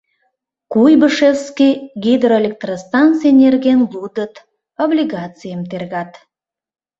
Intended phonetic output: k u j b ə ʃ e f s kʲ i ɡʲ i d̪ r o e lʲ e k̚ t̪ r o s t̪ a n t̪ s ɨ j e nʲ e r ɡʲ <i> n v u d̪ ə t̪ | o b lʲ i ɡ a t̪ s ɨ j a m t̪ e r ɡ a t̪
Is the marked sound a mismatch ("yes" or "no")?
yes